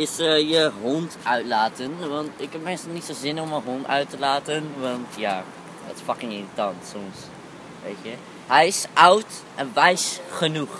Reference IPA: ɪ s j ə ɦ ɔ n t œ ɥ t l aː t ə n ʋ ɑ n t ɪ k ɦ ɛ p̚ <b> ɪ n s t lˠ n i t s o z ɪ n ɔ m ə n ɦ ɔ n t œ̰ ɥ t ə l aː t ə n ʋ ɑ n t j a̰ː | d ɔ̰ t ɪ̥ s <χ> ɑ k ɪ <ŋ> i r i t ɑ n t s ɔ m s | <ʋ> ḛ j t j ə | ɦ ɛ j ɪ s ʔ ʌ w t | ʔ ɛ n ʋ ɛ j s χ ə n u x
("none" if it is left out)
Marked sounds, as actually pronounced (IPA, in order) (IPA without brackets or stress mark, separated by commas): m, f, ŋ, ʋ